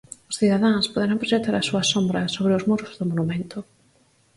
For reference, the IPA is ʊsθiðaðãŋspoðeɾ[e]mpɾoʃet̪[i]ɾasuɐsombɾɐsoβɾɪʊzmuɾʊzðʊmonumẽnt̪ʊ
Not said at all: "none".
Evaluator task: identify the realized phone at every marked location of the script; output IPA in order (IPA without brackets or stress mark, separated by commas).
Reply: a, a